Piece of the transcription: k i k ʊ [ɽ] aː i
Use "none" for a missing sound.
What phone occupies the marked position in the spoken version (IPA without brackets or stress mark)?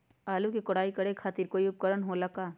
ɽ